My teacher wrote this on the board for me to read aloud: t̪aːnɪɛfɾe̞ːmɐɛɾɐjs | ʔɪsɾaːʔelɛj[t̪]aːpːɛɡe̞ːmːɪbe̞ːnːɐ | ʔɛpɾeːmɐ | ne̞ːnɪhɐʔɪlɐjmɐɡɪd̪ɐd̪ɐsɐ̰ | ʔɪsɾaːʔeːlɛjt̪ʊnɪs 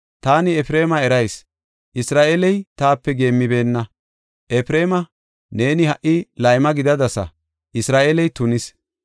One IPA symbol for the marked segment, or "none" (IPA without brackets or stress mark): t̪